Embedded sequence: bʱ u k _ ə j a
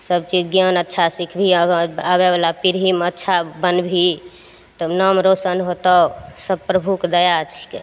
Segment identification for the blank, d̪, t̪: d̪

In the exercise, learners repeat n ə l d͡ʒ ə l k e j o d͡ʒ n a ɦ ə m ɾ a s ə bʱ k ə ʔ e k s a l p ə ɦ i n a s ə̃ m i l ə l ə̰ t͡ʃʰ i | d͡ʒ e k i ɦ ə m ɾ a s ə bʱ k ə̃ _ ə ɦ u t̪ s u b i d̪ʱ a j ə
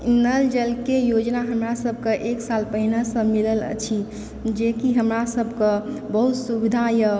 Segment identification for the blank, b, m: b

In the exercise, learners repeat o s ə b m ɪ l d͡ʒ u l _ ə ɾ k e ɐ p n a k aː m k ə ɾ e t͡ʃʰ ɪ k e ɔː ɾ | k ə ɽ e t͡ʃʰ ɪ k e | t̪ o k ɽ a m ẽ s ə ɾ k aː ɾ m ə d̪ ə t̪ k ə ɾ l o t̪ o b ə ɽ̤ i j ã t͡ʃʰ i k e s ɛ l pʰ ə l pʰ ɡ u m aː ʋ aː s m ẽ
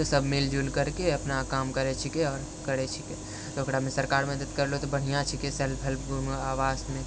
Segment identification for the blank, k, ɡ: k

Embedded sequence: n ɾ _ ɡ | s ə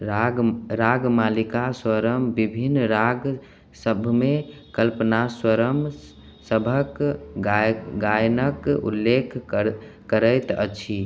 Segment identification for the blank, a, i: a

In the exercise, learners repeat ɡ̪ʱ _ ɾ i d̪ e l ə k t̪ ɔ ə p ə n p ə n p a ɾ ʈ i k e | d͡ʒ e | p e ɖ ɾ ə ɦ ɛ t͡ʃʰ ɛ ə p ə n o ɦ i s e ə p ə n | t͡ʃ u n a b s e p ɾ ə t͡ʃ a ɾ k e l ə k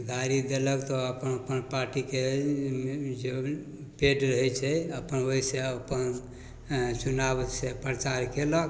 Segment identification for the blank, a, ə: a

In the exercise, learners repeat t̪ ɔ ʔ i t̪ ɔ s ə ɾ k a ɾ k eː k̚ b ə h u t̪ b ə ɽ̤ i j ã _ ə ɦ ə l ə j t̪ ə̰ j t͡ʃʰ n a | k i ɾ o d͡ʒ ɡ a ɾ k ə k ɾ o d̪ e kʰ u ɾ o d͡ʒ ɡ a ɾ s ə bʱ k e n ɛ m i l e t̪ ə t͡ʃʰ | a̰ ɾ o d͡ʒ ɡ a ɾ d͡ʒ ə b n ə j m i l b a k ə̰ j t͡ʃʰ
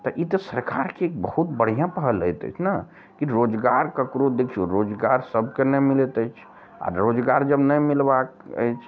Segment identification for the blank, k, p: p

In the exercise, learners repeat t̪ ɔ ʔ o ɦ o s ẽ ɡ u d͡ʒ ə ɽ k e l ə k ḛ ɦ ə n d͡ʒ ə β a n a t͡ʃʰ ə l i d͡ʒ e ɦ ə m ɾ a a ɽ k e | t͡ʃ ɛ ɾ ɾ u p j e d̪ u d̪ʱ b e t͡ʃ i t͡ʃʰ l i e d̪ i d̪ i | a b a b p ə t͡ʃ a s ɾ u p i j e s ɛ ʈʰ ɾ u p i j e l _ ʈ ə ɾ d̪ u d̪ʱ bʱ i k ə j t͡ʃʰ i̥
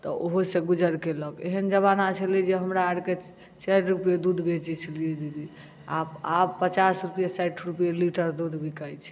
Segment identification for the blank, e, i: i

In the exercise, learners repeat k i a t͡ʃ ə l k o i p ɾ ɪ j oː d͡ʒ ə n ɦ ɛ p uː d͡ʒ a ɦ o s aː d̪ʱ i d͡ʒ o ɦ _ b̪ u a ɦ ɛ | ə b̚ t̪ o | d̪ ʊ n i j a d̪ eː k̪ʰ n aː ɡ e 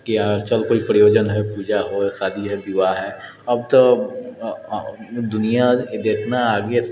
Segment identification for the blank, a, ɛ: ɛ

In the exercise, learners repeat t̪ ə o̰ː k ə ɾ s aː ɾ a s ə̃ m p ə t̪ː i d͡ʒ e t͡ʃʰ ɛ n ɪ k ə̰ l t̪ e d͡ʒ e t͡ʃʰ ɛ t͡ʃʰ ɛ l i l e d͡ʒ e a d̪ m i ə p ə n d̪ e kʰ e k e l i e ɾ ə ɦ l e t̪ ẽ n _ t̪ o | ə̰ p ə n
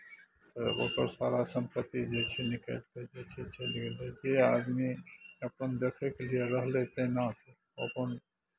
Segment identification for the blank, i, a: a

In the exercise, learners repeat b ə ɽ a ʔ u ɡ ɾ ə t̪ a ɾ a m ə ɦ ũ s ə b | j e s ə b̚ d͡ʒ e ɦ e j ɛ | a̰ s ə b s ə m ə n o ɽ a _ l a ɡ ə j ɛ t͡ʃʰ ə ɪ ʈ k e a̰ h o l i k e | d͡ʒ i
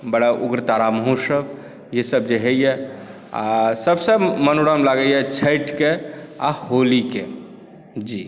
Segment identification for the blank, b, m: m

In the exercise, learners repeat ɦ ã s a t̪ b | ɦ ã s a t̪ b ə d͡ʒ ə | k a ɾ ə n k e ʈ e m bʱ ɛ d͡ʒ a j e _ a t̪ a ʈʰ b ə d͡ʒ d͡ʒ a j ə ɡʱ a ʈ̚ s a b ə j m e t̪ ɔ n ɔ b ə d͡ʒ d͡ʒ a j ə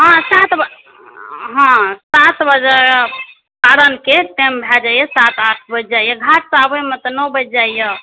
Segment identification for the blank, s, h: s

